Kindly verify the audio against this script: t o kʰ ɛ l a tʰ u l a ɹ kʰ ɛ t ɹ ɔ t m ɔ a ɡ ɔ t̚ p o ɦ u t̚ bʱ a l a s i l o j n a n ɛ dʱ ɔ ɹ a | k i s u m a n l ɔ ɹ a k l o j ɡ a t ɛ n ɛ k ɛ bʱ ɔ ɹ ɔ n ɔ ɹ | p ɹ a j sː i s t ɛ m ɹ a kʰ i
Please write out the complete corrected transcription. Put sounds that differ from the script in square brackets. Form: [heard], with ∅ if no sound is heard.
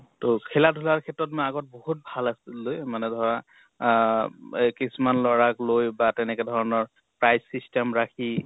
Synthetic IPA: t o kʰ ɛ l a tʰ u l a ɹ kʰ ɛ t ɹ ɔ t m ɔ a ɡ ɔ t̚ [b] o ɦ u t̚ bʱ a l a s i l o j [m] a n ɛ dʱ ɔ ɹ a | k i s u m a n l ɔ ɹ a k l o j [b] a t ɛ n ɛ k ɛ [dʱ] ɔ ɹ ɔ n ɔ ɹ | p ɹ a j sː i s t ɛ m ɹ a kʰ i